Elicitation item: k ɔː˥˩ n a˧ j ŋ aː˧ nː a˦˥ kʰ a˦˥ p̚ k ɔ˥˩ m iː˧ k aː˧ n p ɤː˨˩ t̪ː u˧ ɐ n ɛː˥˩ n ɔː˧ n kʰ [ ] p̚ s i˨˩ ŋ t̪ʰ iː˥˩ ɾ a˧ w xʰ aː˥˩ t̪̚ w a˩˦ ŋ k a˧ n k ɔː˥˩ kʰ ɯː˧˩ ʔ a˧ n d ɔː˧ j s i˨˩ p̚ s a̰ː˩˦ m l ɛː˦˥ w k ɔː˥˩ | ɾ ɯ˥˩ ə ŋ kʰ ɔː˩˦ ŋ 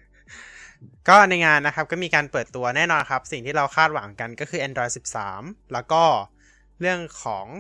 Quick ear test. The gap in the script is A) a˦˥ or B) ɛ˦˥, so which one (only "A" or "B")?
A